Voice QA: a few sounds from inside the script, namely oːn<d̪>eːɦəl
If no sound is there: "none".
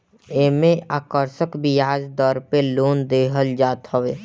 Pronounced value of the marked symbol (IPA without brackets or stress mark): d̪